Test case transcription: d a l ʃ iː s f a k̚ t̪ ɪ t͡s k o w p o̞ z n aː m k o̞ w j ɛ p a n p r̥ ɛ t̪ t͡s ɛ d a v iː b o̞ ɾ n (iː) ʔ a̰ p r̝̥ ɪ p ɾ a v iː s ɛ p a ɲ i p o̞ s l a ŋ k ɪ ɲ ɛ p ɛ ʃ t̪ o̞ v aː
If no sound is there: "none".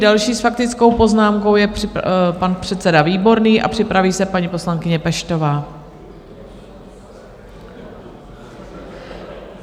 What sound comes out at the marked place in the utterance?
iː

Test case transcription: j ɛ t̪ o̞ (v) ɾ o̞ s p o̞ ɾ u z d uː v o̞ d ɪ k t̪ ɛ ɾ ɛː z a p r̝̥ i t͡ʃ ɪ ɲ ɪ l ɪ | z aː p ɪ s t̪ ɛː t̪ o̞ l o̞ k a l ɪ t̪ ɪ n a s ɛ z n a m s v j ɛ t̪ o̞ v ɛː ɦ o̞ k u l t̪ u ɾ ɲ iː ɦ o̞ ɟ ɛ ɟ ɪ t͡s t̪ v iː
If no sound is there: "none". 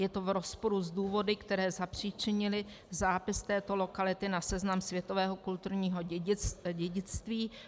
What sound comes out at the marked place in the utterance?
v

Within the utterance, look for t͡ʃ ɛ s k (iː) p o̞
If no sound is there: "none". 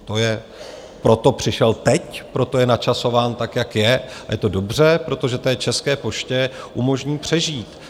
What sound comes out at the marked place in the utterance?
ɛː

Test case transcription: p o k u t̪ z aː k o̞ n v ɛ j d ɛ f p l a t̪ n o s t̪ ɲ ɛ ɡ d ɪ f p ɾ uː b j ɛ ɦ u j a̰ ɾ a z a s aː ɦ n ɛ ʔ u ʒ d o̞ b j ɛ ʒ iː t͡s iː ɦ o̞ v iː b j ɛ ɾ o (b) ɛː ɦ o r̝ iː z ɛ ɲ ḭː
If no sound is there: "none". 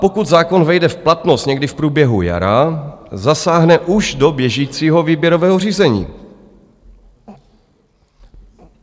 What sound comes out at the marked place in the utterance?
v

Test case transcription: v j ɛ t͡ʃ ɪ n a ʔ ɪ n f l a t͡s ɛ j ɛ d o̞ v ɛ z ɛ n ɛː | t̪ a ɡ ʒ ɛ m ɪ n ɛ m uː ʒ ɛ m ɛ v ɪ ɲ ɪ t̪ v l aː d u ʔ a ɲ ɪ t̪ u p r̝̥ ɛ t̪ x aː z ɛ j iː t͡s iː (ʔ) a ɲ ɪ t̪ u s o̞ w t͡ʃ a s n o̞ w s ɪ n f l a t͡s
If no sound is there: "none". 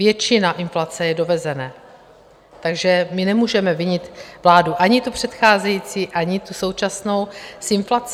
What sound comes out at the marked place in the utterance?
ʔ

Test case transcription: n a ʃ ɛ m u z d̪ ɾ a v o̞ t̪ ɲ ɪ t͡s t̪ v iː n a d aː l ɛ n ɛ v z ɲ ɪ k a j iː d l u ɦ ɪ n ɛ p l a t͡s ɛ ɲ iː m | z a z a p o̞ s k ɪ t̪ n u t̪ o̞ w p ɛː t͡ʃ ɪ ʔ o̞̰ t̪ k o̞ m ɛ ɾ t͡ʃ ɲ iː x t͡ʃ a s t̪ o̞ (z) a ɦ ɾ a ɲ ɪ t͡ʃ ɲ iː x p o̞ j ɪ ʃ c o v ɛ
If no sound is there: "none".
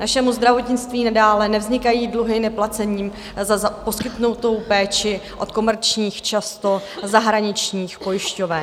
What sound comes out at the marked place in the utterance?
z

